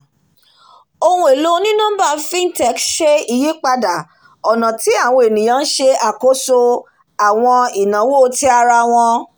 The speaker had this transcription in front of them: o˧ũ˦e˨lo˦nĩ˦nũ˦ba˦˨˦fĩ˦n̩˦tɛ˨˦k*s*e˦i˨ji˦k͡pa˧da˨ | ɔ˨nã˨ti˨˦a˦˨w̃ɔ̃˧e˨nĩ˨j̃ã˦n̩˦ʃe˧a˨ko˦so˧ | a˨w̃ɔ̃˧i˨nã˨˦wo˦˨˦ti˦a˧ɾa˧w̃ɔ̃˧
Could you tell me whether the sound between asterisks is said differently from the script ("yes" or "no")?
yes